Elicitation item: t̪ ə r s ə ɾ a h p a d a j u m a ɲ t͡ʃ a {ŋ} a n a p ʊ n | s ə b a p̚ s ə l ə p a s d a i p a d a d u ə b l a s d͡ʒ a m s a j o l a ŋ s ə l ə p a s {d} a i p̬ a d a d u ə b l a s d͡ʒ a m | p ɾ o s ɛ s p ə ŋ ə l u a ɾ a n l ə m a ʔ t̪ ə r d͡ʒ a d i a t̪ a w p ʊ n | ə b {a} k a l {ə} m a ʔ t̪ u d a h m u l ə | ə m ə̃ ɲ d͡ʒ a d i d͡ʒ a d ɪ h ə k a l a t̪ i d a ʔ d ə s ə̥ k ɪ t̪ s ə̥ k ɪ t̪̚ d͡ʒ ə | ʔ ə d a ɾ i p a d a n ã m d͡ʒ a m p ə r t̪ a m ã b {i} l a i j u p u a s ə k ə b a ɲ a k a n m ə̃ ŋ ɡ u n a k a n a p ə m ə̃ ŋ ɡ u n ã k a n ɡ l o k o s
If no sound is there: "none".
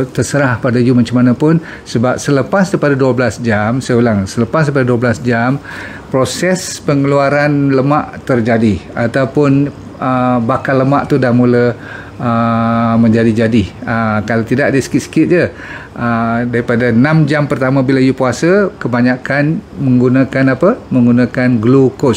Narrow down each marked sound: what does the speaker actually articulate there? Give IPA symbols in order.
m, d, a, ə, i

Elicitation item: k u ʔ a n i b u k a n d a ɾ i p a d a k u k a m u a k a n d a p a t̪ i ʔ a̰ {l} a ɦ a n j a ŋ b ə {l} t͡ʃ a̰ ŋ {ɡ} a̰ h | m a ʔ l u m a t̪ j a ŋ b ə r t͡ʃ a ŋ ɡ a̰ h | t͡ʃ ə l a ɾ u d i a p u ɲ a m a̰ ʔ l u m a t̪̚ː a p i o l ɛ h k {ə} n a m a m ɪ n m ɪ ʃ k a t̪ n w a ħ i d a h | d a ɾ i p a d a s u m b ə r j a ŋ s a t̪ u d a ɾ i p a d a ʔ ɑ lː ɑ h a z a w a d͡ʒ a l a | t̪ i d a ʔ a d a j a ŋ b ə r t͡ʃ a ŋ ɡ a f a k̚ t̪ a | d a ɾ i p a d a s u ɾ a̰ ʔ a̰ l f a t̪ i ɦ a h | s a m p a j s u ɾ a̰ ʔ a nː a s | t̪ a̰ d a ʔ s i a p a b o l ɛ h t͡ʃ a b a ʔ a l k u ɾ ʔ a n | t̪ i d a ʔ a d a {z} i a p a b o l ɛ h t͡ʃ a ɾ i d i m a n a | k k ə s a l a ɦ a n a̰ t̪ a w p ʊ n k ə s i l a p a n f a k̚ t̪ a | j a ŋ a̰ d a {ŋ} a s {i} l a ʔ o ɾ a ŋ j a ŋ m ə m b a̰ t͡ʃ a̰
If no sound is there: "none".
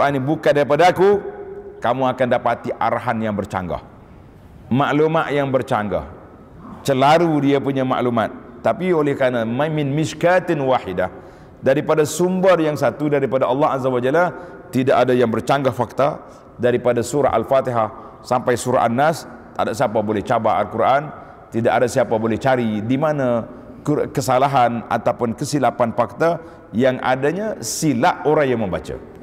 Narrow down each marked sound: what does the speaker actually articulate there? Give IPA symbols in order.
ɾ, r, ɡ, a, s, ɲ, i

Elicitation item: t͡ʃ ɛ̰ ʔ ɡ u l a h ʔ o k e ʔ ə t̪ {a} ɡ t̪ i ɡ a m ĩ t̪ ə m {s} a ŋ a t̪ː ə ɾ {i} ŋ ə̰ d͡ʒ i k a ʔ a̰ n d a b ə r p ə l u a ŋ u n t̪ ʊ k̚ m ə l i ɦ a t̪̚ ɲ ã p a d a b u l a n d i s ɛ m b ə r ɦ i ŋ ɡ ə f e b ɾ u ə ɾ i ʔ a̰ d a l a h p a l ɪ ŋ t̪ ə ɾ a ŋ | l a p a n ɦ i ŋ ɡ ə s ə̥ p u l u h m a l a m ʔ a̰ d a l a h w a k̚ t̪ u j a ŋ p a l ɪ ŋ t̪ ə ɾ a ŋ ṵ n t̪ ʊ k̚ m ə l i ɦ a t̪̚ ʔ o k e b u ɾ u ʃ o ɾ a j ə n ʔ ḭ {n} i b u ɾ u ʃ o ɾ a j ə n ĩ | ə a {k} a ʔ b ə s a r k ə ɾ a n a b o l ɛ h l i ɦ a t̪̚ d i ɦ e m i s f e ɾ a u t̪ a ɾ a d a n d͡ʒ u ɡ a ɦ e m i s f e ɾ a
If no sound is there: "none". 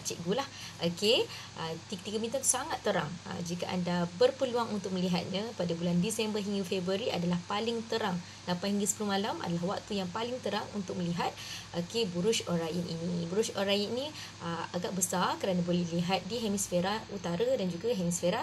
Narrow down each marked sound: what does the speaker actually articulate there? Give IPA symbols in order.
i, s, a, n, ɡ

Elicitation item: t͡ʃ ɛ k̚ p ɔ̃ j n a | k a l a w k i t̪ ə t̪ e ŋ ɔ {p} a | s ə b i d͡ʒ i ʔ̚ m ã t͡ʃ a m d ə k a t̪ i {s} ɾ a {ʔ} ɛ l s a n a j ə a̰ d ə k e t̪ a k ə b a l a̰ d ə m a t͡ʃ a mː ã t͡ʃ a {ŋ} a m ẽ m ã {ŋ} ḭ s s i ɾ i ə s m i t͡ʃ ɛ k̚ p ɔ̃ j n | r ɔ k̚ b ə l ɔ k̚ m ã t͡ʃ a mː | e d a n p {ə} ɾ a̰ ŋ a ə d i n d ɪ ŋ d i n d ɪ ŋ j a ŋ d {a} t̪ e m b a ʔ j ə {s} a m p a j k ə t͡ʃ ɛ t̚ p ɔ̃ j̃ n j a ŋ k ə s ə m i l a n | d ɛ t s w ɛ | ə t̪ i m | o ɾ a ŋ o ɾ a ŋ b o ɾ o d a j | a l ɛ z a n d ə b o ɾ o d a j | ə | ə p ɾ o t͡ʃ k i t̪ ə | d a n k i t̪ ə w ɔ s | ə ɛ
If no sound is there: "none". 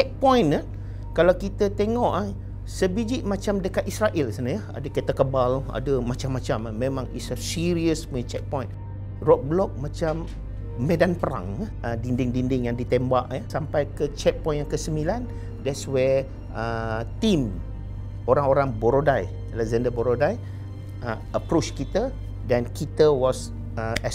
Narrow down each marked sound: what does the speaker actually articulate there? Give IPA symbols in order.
ʔ, s, ʔ, m, ŋ, ə, i, s

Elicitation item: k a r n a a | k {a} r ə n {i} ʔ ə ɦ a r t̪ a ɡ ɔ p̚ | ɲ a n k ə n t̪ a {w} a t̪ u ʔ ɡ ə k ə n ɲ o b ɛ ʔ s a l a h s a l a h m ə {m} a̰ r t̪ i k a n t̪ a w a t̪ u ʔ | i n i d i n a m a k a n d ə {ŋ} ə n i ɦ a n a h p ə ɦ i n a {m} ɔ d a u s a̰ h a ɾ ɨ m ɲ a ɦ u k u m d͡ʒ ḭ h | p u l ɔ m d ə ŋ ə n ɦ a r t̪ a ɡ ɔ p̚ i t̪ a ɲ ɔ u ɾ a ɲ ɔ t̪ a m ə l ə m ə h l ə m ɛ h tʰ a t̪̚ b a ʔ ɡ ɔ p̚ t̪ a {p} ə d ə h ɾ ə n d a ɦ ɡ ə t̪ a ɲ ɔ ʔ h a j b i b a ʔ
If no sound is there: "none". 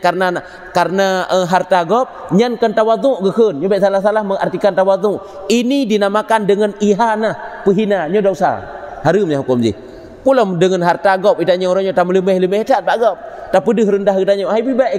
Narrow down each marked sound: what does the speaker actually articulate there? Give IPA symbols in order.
a, a, w, ŋ, ŋ, ɲ, p

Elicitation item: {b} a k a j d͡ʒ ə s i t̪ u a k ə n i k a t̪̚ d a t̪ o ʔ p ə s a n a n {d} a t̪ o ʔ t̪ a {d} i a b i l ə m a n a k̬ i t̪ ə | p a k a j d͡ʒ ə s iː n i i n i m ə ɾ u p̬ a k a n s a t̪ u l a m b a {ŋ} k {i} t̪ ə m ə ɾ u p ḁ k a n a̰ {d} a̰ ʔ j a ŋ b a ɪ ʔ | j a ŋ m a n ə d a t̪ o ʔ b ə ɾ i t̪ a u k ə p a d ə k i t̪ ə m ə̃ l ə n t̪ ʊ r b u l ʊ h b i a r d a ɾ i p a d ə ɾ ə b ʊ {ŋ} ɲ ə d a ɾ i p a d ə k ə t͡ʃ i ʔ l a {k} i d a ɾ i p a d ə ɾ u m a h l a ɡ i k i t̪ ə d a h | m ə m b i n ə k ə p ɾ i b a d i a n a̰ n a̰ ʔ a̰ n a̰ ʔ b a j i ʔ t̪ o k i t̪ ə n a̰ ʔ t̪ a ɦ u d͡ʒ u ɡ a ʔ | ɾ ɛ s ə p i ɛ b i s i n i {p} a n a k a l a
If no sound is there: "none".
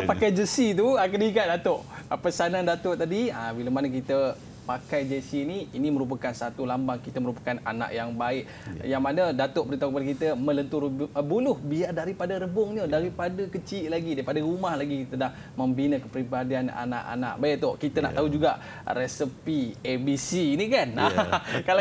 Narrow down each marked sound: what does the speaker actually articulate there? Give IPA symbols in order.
p, d, d, ŋ, i, n, ŋ, ɡ, k

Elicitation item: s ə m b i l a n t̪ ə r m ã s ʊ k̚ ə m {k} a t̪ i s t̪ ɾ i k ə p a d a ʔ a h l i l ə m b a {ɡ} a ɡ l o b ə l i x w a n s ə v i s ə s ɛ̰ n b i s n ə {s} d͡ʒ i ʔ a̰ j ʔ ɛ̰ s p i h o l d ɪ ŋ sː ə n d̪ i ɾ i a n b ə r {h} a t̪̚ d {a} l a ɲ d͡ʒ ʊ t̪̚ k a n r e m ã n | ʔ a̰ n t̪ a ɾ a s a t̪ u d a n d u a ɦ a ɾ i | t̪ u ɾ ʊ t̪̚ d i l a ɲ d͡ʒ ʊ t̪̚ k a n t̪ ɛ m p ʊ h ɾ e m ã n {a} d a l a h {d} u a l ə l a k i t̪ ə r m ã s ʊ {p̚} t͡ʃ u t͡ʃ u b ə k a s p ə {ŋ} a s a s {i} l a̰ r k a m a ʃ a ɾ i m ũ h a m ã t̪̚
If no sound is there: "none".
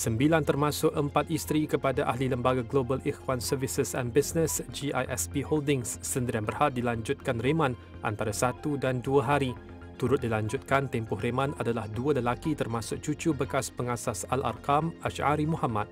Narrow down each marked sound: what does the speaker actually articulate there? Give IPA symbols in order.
p, ɡ, s, h, i, a, d, k̚, ŋ, a

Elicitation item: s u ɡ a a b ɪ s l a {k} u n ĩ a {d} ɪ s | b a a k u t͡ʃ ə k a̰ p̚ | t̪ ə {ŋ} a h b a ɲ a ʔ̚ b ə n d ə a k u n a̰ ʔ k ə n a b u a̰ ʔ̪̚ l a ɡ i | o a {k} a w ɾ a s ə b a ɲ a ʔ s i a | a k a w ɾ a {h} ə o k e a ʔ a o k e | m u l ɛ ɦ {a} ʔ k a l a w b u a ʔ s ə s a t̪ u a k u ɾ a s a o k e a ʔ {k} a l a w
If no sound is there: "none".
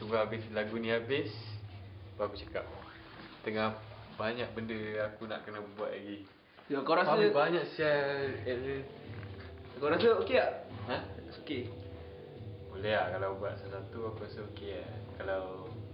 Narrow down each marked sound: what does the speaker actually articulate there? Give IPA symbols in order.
ɡ, b, ŋ, k, s, a, k

